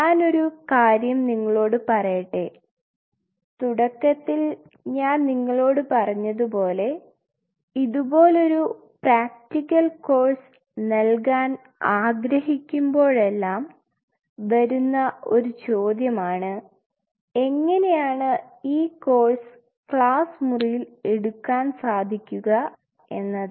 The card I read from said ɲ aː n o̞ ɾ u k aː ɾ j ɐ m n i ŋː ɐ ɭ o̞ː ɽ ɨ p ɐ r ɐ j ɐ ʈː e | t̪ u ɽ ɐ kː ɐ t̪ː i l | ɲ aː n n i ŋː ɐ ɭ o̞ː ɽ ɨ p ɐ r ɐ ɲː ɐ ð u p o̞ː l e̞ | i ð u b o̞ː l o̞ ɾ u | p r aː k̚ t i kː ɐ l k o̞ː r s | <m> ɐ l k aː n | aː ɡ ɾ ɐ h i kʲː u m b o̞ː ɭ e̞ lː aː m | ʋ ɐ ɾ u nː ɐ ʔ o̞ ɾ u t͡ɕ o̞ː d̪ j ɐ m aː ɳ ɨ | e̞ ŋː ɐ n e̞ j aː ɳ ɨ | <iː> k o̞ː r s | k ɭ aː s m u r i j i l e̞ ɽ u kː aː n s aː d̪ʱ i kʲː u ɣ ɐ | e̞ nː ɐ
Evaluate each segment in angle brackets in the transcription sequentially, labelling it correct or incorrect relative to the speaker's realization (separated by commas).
incorrect, correct